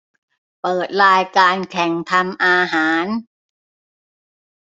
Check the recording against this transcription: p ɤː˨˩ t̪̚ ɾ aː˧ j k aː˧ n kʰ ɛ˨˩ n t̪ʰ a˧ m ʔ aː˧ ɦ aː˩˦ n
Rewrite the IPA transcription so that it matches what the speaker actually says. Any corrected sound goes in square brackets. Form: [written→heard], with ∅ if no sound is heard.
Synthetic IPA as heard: p ɤː˨˩ t̪̚ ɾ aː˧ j k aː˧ n kʰ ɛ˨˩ [n→ŋ] t̪ʰ a˧ m ʔ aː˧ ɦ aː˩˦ n